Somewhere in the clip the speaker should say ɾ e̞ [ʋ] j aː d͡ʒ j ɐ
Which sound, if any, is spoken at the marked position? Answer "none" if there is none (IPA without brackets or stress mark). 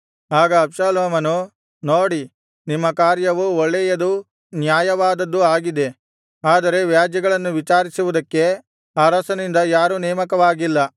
ʋ